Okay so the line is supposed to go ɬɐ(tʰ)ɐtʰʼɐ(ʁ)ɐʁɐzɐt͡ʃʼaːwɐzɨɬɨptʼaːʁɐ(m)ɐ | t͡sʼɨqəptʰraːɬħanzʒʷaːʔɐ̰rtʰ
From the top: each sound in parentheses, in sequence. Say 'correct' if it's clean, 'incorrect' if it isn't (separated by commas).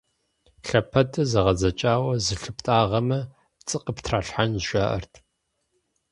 incorrect, incorrect, correct